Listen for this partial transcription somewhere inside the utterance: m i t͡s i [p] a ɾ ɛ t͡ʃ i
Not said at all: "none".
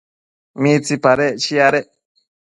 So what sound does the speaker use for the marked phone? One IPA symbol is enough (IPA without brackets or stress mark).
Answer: p